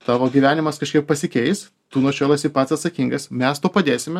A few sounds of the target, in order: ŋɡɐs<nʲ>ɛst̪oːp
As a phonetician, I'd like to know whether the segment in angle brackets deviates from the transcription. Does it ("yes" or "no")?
yes